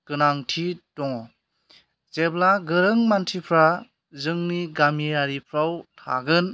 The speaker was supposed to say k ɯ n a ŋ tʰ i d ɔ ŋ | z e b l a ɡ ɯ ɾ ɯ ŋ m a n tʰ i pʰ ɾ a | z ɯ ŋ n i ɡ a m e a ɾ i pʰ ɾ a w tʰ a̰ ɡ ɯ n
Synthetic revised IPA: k ɯ n a ŋ tʰ i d ɔ ŋ | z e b l a ɡ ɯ ɾ ɯ ŋ m a n tʰ i pʰ ɾ a | z ɯ ŋ n i ɡ a m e a ɾ i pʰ ɾ a w tʰ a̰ ɡ ɯ n